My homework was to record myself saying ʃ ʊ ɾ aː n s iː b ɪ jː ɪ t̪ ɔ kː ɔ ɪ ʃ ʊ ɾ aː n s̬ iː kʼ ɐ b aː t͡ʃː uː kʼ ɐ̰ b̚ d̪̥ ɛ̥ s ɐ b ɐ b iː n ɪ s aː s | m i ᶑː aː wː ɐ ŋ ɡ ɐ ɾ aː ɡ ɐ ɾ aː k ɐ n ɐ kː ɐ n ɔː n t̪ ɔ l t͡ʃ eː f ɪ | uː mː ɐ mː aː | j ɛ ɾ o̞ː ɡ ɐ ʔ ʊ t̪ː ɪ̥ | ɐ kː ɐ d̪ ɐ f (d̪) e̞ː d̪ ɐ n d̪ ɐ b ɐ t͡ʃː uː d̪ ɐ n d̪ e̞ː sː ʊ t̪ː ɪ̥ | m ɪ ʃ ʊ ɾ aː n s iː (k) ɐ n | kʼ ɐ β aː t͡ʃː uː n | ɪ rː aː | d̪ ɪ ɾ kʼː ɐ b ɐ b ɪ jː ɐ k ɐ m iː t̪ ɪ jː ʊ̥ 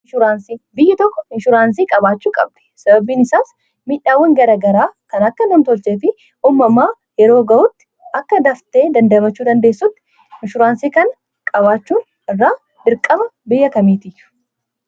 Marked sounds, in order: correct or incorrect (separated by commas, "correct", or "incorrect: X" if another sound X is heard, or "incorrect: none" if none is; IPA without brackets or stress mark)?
incorrect: t̪, correct